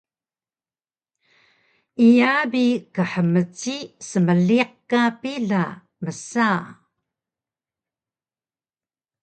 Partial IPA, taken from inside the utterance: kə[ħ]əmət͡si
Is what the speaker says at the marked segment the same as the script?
yes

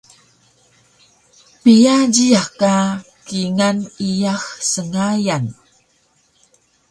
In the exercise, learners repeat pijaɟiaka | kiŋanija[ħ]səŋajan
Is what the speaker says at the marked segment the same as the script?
no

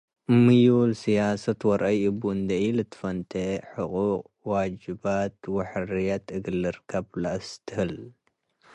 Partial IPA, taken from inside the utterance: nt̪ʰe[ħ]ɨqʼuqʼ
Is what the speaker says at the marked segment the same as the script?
yes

